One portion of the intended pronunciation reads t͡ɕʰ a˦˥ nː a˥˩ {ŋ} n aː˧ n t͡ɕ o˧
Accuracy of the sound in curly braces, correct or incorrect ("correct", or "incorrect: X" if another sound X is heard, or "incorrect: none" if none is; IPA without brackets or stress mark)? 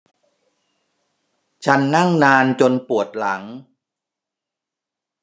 correct